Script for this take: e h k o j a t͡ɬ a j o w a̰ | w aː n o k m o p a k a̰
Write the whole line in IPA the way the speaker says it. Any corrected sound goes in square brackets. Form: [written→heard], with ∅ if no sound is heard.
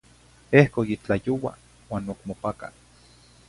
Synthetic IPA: e h k o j [a→i] t͡ɬ a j o w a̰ | w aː n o k m o p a k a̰